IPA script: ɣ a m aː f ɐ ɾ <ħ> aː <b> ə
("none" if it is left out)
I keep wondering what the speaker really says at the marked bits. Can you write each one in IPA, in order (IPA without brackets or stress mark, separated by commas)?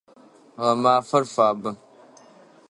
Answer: f, b